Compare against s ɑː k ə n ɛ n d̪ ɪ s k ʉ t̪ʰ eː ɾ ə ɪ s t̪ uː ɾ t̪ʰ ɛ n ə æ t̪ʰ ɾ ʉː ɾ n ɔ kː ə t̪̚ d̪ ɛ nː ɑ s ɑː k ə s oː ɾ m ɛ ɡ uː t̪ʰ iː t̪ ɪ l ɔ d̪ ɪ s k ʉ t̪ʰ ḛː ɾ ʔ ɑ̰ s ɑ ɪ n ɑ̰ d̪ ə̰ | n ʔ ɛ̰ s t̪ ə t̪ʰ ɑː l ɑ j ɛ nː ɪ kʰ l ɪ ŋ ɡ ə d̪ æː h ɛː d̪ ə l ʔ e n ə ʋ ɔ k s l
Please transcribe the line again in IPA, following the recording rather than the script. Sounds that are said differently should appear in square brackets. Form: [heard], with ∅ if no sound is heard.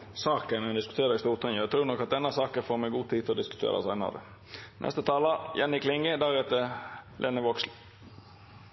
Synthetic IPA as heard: s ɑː k ə n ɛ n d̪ ɪ s k ʉ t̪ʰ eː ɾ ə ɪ s t̪ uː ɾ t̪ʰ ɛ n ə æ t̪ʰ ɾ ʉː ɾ n ɔ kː [ɑ] t̪̚ d̪ ɛ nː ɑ s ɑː k ə [f] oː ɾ m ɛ ɡ uː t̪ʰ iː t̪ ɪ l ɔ d̪ ɪ s k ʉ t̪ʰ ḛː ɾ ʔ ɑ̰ s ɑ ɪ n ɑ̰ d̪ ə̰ | n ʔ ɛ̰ s t̪ ə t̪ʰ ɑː l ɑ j ɛ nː ɪ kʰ l ɪ ŋ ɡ ə d̪ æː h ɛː [t̪] ə l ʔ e n ə ʋ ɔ k s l